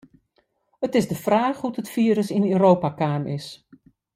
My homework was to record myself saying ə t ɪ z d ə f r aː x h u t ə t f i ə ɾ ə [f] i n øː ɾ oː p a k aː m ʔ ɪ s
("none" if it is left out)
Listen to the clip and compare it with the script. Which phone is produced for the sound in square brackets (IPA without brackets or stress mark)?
s